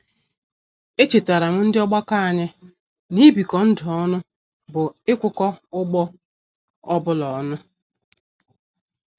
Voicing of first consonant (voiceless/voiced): voiceless